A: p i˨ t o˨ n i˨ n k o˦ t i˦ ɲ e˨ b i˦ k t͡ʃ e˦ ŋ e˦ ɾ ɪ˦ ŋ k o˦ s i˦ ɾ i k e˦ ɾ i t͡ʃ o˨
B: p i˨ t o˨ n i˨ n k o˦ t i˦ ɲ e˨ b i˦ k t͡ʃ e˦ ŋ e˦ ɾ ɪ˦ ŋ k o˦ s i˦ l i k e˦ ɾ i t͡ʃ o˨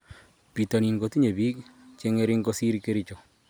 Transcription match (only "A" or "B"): A